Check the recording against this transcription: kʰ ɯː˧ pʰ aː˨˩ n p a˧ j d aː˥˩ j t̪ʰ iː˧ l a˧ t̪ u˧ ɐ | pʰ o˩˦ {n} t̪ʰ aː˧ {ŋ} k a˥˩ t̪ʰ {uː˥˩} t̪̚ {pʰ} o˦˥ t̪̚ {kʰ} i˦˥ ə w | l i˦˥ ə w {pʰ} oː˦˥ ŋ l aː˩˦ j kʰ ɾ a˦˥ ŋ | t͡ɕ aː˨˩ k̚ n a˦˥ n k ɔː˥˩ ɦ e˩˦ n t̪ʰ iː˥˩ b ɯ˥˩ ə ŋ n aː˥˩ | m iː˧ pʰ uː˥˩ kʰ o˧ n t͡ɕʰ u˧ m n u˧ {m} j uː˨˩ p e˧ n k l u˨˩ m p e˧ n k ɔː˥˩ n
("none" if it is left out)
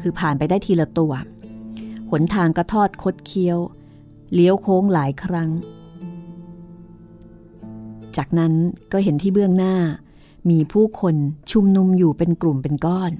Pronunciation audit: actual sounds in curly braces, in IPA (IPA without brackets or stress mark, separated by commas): n, ŋ, ɔː˥˩, kʰ, kʰ, kʰ, m